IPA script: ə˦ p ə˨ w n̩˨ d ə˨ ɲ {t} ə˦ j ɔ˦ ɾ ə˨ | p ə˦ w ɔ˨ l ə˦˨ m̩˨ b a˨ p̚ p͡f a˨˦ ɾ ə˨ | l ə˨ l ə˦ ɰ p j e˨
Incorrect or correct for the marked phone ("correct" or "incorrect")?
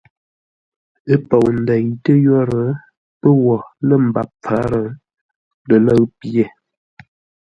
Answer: correct